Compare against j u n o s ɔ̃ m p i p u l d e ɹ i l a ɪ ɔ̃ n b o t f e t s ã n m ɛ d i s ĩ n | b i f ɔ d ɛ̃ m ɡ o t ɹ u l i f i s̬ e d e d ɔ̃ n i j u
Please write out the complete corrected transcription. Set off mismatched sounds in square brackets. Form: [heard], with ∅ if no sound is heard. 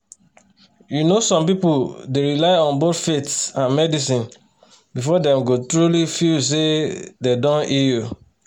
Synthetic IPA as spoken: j u n o s ɔ̃ m p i p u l d e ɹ i l a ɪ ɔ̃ n b o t f e t s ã n m ɛ d i s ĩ n | b i f ɔ d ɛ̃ m ɡ o t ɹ u l i f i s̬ e d e d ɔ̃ n i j u